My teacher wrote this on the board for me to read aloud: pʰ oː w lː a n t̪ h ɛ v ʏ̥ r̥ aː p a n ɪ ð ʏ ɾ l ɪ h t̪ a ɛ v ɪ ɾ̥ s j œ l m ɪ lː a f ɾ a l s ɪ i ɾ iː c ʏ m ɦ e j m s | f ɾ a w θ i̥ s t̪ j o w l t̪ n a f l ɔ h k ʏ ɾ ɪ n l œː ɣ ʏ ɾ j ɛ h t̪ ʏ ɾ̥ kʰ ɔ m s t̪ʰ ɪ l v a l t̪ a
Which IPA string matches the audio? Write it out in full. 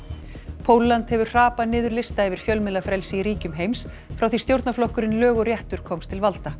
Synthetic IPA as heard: pʰ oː w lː a n t̪ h ɛ v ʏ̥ r̥ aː p a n ɪː ð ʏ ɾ l ɪ s t̪ a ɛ v ɪ ɾ̥ f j œ l m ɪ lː a f ɾ ɛ l s ɪ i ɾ iː c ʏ m ɦ e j m s | f ɾ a w θ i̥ s t̪ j o w ɾ t̪ n a f l ɔ h k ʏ ɾ ɪ n l œː ɣ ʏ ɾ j ɛ h t̪ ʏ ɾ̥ kʰ ɔ m s t̪ʰ ɪ l v a l t̪ a